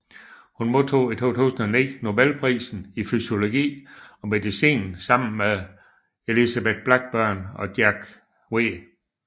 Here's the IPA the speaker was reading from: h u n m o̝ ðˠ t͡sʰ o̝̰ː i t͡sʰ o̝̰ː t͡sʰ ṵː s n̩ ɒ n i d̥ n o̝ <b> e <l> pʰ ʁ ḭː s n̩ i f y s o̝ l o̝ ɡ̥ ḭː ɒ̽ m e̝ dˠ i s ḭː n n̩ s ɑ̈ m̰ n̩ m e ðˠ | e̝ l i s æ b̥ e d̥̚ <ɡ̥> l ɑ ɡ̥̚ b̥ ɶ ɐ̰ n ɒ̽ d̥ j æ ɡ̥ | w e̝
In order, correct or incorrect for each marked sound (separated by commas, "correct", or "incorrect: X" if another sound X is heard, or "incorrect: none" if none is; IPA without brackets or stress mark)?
correct, correct, incorrect: b̥